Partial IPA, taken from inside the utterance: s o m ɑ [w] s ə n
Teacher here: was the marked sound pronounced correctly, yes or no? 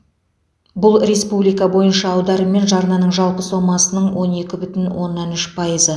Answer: no